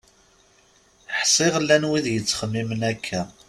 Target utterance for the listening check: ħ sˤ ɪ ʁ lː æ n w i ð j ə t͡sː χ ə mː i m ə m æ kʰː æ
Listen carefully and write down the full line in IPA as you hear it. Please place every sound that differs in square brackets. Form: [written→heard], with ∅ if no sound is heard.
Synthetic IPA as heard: ħ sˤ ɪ ʁ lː æ n w i ð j ə t͡sː χ ə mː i m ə [m→n] æ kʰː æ